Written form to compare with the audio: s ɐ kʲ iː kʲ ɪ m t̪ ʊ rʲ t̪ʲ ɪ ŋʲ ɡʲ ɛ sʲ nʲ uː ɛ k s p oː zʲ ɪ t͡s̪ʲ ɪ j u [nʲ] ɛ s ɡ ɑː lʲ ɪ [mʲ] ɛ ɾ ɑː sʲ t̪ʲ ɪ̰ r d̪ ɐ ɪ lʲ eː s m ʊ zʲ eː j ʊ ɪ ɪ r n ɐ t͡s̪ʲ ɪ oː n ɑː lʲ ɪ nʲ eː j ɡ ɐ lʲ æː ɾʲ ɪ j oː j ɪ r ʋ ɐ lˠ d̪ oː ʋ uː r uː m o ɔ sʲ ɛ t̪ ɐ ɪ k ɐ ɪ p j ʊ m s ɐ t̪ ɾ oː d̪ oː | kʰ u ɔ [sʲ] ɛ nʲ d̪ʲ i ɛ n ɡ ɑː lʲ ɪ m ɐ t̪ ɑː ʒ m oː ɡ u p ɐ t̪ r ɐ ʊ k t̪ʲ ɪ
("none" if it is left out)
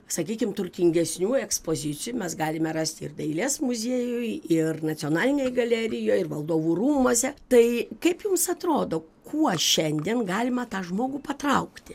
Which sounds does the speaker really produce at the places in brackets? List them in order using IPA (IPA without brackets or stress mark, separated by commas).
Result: mʲ, mʲ, ʃʲ